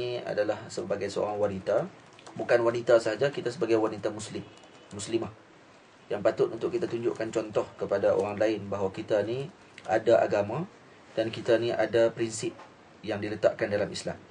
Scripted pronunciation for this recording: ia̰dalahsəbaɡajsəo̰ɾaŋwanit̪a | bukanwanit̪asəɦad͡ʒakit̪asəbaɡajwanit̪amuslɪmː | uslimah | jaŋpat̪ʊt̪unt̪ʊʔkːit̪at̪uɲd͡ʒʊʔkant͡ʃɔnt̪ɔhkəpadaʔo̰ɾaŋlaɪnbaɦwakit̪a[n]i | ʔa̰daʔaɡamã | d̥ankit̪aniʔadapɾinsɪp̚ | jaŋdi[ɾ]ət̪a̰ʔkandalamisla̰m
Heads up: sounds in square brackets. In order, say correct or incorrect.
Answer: correct, incorrect: l

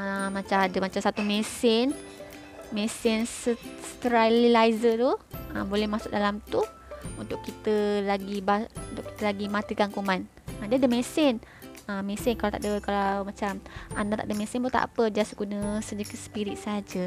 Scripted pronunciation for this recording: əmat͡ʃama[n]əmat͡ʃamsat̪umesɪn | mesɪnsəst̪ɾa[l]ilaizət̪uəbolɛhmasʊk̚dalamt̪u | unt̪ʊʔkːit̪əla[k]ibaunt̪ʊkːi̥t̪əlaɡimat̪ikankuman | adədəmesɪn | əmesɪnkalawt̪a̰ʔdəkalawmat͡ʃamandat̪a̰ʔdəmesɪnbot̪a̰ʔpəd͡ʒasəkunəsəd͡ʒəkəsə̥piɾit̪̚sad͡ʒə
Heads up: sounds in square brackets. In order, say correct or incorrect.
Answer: incorrect: d, correct, incorrect: ɡ

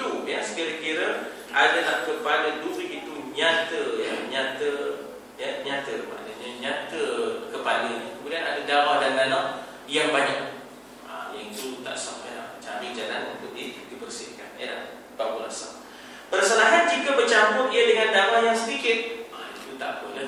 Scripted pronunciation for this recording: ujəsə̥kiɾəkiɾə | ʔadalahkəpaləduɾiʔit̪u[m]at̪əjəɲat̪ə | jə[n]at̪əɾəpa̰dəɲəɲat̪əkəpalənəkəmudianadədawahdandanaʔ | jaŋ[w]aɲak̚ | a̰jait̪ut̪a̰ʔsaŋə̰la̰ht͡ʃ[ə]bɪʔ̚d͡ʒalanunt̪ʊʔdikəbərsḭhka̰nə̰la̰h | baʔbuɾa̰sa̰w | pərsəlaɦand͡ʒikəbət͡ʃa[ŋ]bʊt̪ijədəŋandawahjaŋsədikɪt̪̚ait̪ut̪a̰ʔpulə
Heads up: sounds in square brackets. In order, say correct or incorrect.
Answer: incorrect: ɲ, incorrect: ɲ, incorrect: b, incorrect: a, incorrect: m

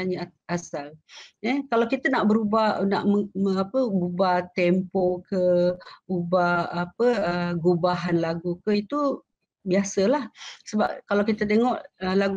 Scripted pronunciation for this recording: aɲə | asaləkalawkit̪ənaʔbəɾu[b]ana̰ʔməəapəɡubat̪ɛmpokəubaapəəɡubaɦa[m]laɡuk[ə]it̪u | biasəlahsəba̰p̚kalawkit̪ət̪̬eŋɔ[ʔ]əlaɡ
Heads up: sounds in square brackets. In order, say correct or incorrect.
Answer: correct, incorrect: n, correct, correct

